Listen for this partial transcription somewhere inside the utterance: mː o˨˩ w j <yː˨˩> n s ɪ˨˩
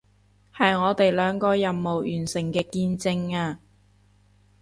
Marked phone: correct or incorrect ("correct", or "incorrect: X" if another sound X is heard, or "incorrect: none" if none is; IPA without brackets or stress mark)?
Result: correct